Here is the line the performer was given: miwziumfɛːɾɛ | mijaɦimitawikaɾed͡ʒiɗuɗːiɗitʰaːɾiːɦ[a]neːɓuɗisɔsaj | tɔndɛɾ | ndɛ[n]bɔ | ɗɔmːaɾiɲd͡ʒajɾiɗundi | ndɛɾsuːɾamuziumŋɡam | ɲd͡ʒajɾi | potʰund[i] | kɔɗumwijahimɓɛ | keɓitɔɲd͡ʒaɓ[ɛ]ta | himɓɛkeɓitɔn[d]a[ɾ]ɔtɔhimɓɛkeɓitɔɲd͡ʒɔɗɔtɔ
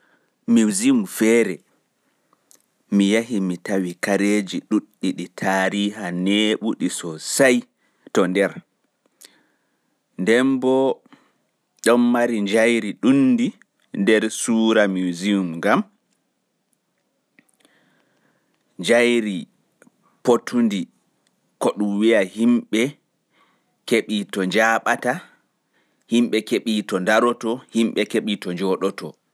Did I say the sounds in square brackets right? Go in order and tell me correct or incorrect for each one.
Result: correct, incorrect, correct, incorrect, correct, correct

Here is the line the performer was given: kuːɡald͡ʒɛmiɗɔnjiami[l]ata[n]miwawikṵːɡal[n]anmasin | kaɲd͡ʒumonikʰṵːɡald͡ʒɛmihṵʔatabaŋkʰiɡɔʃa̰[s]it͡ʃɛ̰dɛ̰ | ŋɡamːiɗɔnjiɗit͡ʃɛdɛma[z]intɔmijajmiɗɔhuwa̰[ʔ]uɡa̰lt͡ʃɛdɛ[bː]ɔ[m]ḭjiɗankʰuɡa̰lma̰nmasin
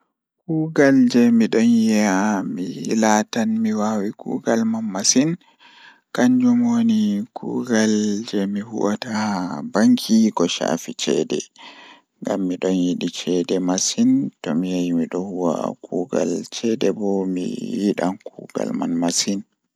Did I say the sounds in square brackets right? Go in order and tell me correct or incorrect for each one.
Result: correct, correct, incorrect, incorrect, incorrect, incorrect, incorrect, correct

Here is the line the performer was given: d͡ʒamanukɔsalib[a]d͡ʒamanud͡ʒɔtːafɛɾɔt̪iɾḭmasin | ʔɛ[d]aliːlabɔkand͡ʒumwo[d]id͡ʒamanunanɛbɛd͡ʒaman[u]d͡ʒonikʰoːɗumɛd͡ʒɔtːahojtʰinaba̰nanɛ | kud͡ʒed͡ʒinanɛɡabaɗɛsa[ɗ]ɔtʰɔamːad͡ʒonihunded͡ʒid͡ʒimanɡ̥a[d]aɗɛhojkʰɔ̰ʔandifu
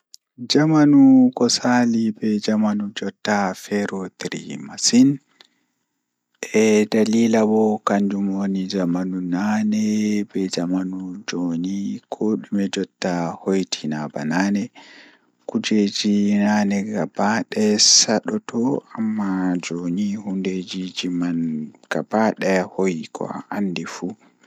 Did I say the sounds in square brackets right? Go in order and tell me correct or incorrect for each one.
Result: incorrect, correct, incorrect, correct, correct, incorrect

